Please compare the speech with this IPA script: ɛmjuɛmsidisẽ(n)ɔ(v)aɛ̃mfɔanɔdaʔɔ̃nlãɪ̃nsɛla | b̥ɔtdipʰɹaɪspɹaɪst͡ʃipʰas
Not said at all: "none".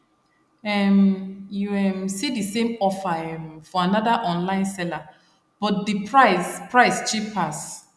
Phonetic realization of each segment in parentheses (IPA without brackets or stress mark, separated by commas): m, f